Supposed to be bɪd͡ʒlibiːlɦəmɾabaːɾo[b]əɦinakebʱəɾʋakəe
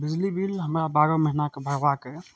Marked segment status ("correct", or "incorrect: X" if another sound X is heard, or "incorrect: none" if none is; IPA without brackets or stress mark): incorrect: m